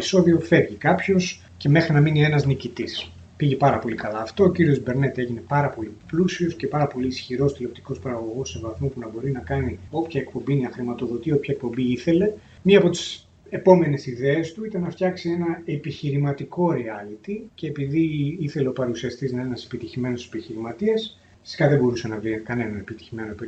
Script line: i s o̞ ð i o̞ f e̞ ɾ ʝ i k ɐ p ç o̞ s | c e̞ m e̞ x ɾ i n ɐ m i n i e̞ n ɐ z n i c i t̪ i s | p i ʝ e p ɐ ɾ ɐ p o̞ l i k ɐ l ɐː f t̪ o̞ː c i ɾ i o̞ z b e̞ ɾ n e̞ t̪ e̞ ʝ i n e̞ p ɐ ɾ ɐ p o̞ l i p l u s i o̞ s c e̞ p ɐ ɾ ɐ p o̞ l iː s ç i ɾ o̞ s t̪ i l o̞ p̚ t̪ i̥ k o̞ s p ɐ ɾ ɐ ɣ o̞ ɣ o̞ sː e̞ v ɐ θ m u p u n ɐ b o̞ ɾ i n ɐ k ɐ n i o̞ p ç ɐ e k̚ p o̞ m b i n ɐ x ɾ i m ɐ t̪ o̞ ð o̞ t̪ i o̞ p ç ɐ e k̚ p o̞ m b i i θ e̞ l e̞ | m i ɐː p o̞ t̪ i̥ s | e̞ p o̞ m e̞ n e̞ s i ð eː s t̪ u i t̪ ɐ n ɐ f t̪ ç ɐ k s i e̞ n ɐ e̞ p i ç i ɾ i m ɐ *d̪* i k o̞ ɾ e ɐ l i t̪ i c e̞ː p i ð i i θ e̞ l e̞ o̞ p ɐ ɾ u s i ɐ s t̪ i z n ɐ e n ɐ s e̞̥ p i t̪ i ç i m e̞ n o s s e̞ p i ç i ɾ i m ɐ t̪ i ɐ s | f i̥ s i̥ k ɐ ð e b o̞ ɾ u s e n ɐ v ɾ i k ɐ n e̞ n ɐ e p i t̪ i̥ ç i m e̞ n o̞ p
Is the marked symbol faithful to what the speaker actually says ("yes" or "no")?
no